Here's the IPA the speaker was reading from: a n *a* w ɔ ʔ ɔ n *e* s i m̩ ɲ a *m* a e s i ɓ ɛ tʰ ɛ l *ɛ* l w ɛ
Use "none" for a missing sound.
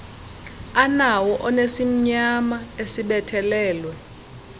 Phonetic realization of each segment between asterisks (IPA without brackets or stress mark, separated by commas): a, e, m, ɛː